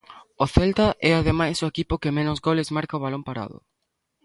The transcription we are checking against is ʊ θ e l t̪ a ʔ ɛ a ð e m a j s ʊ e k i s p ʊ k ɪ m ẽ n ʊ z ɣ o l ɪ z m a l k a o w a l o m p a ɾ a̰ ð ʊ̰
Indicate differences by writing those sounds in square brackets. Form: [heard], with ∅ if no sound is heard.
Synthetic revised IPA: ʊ θ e l t̪ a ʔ ɛ a ð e m a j s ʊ e k i [∅] p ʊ k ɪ m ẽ n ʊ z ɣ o l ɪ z m a [ɾ] k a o [β] a l o m p a ɾ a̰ ð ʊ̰

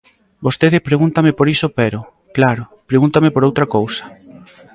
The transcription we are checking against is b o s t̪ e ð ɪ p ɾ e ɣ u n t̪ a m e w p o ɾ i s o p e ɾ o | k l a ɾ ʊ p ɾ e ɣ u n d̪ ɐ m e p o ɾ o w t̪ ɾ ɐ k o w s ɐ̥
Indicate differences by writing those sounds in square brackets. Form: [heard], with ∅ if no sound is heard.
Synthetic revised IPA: b o s t̪ e ð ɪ p ɾ e ɣ u n t̪ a m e [∅] p o ɾ i s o p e ɾ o | k l a ɾ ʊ p ɾ e ɣ u n [t̪] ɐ m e p o ɾ o w t̪ ɾ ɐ k o w s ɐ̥

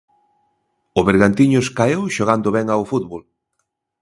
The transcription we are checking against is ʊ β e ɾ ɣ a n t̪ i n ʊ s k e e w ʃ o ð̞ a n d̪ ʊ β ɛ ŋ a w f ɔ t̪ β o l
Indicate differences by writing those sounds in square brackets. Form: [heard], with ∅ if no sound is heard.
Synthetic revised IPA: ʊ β e ɾ ɣ a n t̪ i [ɲ] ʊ s k [a] e w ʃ o [ɣ̞] a n d̪ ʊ β ɛ ŋ a w f [u] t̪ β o l

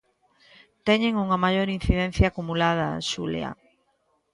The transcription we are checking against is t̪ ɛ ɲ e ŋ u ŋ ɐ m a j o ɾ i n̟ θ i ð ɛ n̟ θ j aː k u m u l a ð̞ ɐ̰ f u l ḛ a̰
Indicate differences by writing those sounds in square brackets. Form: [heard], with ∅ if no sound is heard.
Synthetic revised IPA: t̪ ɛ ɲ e ŋ u ŋ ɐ m a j o ɾ i n̟ θ i ð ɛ n̟ θ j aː k u m u l a ð̞ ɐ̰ [ʃ] u l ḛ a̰

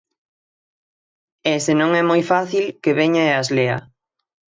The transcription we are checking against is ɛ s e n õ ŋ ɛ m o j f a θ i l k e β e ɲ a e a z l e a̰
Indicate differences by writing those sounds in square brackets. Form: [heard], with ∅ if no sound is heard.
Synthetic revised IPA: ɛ s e n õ ŋ ɛ m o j f a θ i l k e β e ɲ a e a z l e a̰

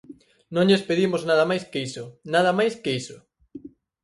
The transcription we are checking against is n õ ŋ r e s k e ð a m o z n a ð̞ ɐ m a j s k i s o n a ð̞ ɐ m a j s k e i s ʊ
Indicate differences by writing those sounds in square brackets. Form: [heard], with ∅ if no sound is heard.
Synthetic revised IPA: n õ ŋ [ʎ] e s [p] e ð [i] m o z n a ð̞ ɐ m a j s k i s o n a ð̞ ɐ m a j s k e i s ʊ

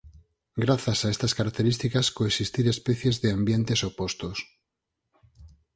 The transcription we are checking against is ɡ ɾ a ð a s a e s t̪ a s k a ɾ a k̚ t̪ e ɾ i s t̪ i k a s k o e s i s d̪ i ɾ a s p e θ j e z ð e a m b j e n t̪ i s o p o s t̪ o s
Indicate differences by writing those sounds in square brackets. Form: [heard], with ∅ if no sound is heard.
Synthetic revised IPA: ɡ ɾ a [θ] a s a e s t̪ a s k a ɾ a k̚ t̪ e ɾ i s t̪ i k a s k o e s i s [t̪] i ɾ [e] s p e θ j e z ð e a m b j e n t̪ [e] s o p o s t̪ o s

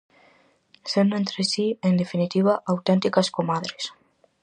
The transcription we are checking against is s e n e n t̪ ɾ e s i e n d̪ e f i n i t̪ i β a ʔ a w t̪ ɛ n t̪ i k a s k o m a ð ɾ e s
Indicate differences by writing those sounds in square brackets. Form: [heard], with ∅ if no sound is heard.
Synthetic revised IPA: s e n e n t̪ ɾ e s i e n d̪ e f i n i t̪ i β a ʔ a w t̪ [e] n t̪ i k a s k o m a ð ɾ e s

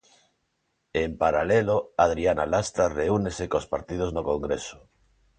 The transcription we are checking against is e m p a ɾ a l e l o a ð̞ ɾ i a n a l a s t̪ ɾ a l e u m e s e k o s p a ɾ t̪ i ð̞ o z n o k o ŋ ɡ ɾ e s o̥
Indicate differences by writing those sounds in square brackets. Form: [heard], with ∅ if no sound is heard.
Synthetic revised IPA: e m p a ɾ a l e l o a ð̞ ɾ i a n a l a s t̪ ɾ a [r] e u [n] e s e k o s p a ɾ t̪ i ð̞ o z n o k o ŋ ɡ ɾ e s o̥

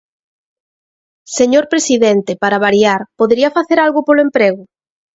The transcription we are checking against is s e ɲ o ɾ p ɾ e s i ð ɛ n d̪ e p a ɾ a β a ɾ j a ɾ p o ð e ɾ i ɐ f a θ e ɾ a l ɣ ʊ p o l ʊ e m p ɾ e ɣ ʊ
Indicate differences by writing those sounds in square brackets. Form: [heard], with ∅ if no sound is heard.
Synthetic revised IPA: s e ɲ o ɾ p ɾ e s i ð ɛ n [t̪] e p a ɾ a β a ɾ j a ɾ p o ð e ɾ i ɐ f a θ e ɾ a l ɣ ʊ p o l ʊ e m p ɾ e ɣ ʊ

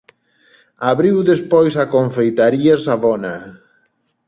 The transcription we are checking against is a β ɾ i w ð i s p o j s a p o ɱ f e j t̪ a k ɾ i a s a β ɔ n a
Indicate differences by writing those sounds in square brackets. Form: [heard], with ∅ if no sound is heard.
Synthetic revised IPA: a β ɾ i w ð [e] s p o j s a [k] o ɱ f e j t̪ a [∅] ɾ i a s a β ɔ n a

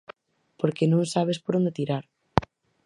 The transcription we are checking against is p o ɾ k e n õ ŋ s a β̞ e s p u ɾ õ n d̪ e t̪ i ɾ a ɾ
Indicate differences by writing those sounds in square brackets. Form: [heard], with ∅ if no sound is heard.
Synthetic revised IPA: p o ɾ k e n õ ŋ s a β̞ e s p [o] ɾ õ n d̪ e t̪ i ɾ a ɾ

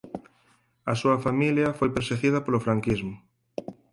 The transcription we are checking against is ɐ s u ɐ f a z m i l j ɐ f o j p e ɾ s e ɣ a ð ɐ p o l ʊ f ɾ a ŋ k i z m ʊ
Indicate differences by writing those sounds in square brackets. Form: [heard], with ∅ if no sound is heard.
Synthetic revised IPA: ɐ s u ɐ f a [∅] m i l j ɐ f o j p e ɾ s e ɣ [i] ð ɐ p o l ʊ f ɾ a ŋ k i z m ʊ

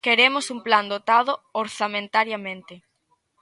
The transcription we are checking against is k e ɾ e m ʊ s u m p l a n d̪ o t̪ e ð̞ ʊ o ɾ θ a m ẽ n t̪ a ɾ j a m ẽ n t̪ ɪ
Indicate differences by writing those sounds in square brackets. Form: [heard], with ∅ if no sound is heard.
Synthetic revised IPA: k e ɾ e m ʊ s u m p l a n d̪ o t̪ [a] ð̞ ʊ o ɾ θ a m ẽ n t̪ a ɾ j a m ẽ n t̪ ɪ

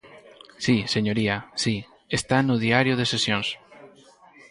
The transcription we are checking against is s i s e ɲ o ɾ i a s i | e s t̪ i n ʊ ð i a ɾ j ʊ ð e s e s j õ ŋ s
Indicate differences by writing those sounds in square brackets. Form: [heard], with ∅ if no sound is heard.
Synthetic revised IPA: s i s e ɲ o ɾ i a s i | e s t̪ [a] n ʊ ð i a ɾ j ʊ ð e s e s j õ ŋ s

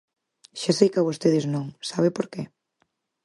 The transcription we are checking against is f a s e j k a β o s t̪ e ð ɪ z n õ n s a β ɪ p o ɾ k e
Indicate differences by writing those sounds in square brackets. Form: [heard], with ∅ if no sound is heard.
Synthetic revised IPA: [ʃ] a s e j k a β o s t̪ e ð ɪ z n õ [ŋ] s a β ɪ p o ɾ k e

